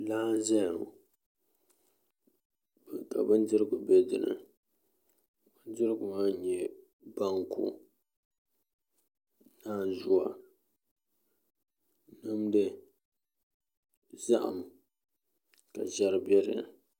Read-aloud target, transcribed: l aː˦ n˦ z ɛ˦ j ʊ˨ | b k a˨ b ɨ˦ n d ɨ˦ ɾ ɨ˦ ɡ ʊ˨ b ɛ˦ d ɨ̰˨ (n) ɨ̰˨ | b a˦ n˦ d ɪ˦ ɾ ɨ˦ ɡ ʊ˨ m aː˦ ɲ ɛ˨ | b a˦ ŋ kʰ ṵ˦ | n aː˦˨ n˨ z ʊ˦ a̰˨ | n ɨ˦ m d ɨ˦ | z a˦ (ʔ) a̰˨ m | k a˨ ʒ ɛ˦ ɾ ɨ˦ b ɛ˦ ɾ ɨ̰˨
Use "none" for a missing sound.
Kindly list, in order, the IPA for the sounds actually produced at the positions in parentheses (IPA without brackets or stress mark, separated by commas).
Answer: n, ʔ